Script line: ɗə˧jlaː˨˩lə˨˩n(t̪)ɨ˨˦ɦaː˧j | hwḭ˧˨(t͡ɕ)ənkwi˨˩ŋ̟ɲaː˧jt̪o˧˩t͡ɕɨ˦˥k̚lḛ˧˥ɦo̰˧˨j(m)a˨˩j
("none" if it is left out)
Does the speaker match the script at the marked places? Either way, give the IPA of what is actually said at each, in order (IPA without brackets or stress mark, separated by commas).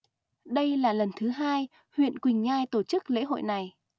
t̪ʰ, none, n